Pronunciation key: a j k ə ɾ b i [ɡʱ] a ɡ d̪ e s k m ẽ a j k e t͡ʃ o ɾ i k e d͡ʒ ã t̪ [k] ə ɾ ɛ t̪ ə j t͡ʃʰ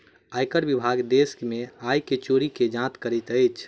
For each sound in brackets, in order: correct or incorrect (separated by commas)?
incorrect, correct